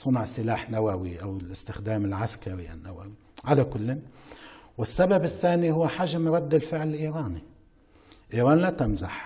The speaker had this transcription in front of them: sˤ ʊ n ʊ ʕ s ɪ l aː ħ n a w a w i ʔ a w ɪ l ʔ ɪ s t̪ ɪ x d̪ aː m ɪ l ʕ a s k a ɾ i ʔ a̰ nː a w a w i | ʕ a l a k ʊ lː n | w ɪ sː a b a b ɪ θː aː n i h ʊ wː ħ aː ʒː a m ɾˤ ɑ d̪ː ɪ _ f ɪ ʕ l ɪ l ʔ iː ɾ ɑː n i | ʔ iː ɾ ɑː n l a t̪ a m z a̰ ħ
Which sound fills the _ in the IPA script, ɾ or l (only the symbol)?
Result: l